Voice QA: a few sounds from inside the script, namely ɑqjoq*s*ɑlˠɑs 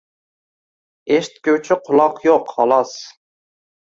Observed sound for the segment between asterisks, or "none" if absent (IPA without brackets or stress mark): h